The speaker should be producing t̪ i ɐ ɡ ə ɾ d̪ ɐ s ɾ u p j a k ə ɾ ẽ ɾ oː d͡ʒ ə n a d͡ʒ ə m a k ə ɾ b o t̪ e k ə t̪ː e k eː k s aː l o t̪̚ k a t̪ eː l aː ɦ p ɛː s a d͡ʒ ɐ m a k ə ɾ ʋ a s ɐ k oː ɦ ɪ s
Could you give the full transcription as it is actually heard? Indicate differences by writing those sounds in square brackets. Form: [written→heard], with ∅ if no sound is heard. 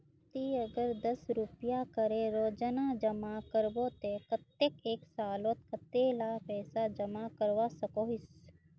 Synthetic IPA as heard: t̪ i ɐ ɡ ə ɾ d̪ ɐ s ɾ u p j a k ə ɾ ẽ ɾ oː d͡ʒ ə n a d͡ʒ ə m a k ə ɾ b o t̪ e k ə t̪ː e k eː k s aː l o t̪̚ k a t̪ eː l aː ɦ p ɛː s a d͡ʒ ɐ m a k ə ɾ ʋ a s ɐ k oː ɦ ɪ s

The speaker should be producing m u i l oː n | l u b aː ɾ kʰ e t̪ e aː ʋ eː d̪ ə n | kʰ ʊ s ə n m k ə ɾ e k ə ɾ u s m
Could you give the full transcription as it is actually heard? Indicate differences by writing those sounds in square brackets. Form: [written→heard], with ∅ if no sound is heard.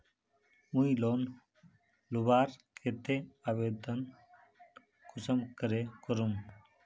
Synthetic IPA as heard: m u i l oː n | l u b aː ɾ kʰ e t̪ e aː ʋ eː d̪ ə n | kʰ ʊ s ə [n→∅] m k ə ɾ e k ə ɾ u [s→∅] m

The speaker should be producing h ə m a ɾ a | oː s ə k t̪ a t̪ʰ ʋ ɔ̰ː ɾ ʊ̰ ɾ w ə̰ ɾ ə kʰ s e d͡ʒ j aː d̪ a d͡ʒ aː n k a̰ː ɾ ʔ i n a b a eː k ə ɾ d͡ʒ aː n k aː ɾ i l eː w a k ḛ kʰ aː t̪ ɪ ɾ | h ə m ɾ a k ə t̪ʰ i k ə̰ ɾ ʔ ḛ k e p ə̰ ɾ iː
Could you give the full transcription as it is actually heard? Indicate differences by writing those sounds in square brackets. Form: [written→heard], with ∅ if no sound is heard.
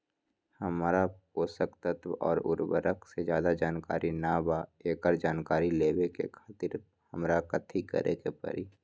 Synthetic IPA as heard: h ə m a ɾ a | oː s ə k t̪ [a→ə] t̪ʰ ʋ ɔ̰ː ɾ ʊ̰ ɾ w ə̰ ɾ ə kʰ s e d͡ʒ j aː d̪ a d͡ʒ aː n k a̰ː ɾ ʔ i n a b a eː k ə ɾ d͡ʒ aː n k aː ɾ i l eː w [a→e] k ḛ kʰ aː t̪ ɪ ɾ | h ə m ɾ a k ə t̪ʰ i k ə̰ ɾ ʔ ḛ k e p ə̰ ɾ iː

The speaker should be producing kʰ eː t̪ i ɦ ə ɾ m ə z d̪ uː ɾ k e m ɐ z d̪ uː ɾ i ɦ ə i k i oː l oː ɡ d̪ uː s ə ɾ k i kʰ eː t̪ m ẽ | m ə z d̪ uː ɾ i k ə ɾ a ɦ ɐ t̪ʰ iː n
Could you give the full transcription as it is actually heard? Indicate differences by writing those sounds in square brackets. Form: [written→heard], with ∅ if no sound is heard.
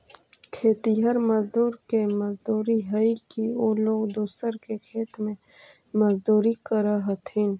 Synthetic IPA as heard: kʰ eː t̪ i ɦ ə ɾ m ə z d̪ uː ɾ k e m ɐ z d̪ uː ɾ i ɦ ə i k i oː l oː ɡ d̪ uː s ə ɾ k [i→e] kʰ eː t̪ m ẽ | m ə z d̪ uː ɾ i k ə ɾ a ɦ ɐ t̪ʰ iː n

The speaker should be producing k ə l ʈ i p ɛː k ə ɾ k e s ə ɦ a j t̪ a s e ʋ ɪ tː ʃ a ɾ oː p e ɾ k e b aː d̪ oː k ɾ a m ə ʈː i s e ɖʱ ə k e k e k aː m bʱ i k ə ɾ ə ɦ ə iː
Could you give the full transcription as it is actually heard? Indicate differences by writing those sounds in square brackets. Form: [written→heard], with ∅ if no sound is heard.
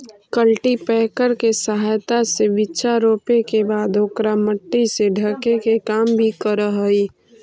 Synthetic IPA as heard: k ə l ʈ i p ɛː k ə ɾ k e s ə ɦ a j t̪ a s e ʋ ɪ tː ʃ a ɾ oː p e [ɾ→∅] k e b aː d̪ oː k ɾ a m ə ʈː i s e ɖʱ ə k e k e k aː m bʱ i k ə ɾ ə ɦ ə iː

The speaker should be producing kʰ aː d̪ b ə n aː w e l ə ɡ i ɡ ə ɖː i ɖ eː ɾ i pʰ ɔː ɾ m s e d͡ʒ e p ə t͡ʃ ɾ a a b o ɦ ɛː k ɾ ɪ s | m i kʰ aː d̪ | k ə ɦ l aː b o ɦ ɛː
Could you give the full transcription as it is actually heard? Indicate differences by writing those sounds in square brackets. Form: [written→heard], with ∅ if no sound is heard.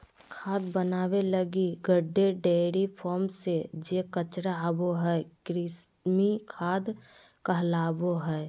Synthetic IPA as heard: kʰ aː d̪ b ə n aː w e l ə ɡ i ɡ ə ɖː [i→e] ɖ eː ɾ i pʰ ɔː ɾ m s e d͡ʒ e [p→k] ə t͡ʃ ɾ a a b o ɦ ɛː k ɾ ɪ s | m i kʰ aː d̪ | k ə ɦ l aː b o ɦ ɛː

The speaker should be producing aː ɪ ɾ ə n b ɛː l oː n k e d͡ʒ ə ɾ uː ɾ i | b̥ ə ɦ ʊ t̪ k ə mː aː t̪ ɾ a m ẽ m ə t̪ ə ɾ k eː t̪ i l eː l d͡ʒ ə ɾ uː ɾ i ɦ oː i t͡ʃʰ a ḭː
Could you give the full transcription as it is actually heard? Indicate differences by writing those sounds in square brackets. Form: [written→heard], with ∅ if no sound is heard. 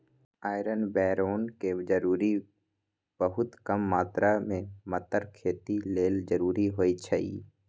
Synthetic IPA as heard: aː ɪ ɾ ə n b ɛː [l→ɾ] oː n k e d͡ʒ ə ɾ uː ɾ i | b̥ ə ɦ ʊ t̪ k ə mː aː t̪ ɾ a m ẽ m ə t̪ ə ɾ [k→kʰ] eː t̪ i l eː l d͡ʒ ə ɾ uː ɾ i ɦ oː i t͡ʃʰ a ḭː

